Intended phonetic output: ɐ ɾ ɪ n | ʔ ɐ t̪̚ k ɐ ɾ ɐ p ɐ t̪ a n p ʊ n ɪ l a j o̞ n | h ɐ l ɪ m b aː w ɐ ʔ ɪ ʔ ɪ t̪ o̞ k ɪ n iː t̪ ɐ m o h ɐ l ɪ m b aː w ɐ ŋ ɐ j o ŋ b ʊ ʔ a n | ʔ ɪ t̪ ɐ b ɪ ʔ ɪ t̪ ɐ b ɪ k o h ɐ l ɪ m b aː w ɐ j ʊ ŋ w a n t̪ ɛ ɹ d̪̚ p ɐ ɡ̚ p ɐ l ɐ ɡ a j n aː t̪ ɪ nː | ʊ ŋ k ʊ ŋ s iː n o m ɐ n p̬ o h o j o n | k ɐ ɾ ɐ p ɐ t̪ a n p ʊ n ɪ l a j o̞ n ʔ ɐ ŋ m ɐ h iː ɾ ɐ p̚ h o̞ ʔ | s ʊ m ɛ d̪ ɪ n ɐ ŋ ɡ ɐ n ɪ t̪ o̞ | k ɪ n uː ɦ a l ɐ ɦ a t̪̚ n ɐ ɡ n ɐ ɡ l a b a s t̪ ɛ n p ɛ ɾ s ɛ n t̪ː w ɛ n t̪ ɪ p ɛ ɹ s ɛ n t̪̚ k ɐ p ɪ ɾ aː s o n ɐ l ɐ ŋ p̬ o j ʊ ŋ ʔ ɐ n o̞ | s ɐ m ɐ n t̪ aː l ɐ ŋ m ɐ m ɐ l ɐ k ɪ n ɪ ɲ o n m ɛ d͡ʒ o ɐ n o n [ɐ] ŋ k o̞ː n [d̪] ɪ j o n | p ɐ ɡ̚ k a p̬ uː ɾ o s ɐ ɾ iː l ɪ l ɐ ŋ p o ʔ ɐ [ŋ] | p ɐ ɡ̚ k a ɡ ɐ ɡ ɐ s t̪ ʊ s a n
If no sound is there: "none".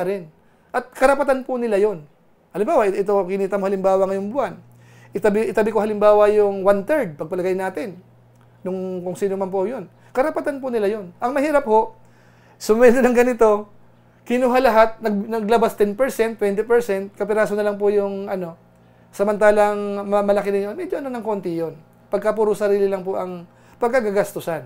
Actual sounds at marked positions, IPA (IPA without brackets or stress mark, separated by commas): ɐ, t̪, ŋ